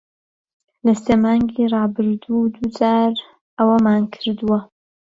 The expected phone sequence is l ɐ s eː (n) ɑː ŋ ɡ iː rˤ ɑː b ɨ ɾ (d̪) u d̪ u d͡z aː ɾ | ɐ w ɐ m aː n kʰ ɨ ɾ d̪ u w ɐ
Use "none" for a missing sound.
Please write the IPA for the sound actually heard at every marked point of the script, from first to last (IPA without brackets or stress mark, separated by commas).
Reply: m, d̪